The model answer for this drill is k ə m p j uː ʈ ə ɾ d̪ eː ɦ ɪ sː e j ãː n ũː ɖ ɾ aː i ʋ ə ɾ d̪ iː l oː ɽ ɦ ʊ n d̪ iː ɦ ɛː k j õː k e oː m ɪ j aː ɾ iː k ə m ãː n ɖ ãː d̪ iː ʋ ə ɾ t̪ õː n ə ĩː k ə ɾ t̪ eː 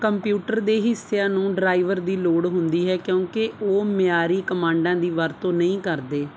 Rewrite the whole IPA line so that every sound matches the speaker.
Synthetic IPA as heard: k ə m p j uː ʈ ə ɾ d̪ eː ɦ ɪ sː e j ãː n ũː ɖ ɾ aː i ʋ ə ɾ d̪ iː l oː ɽ ɦ ʊ n d̪ iː ɦ ɛː k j õː k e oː m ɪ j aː ɾ iː k ə m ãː ɳ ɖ ãː d̪ iː ʋ ə ɾ t̪ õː n ə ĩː k ə ɾ d̪ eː